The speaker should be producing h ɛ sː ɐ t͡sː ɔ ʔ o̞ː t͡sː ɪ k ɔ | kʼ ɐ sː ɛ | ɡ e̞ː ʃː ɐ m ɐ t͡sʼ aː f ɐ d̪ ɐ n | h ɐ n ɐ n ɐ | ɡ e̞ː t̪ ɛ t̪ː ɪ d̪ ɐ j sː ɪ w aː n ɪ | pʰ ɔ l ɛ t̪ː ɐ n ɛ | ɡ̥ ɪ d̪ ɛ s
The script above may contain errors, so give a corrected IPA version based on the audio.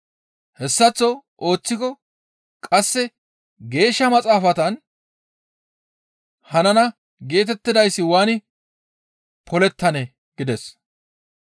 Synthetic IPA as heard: h ɛ sː ɐ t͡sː ɔ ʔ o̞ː t͡sː ɪ k ɔ | kʼ ɐ sː ɛ | ɡ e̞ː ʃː ɐ m ɐ t͡sʼ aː f ɐ t̪ ɐ n | h ɐ n ɐ n ɐ | ɡ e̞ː t̪ ɛ t̪ː ɪ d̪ ɐ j sː ɪ w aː n ɪ | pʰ ɔ l ɛ t̪ː ɐ n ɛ | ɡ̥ ɪ d̪ ɛ s